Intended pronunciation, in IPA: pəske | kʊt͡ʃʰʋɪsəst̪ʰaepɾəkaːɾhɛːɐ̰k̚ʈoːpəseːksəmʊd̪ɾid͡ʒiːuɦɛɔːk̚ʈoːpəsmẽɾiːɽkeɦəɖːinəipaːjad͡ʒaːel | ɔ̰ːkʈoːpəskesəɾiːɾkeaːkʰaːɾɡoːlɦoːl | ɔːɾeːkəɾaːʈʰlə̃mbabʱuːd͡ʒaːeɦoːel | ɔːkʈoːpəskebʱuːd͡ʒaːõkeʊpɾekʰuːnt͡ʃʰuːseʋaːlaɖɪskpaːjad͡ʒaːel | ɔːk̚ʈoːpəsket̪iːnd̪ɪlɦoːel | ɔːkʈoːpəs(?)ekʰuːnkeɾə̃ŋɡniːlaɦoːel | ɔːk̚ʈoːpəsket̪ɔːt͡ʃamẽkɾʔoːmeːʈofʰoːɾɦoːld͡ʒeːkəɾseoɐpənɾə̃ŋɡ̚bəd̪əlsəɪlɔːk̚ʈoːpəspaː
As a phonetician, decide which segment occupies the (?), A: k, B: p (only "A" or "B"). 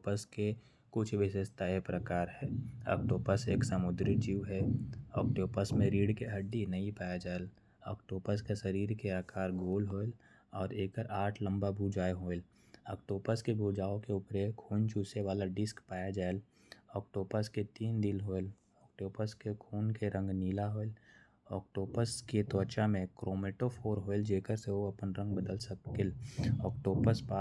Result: A